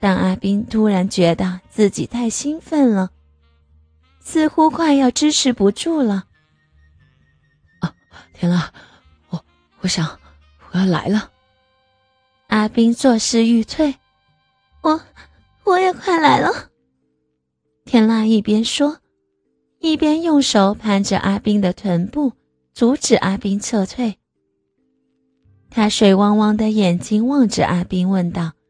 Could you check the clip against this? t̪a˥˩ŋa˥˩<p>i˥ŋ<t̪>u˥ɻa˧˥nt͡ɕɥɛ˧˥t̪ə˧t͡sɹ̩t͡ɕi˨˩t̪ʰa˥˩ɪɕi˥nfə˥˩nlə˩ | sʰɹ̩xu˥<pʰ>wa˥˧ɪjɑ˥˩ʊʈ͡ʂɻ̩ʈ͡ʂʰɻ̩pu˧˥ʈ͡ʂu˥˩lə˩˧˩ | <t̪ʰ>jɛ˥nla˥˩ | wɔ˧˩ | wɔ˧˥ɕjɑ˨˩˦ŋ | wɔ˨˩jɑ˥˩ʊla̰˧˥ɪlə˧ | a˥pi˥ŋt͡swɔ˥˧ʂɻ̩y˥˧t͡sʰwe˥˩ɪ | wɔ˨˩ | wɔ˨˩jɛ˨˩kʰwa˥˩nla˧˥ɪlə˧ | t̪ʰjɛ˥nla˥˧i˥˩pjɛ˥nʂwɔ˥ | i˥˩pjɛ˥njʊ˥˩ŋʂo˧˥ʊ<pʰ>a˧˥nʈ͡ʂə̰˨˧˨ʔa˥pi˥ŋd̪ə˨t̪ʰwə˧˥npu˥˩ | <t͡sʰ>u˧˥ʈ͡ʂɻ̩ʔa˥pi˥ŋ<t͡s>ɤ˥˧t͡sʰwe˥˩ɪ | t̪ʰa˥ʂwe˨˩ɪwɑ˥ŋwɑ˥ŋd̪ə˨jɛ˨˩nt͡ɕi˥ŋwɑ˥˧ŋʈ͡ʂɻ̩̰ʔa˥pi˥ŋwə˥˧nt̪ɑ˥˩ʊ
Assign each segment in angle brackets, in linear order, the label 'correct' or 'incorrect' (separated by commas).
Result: correct, incorrect, incorrect, correct, correct, incorrect, incorrect